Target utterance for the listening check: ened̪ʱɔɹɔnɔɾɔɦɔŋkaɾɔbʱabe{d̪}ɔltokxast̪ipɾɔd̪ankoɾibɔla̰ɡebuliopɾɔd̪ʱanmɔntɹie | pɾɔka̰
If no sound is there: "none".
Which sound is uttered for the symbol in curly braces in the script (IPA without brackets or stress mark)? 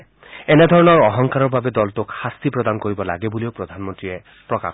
d̪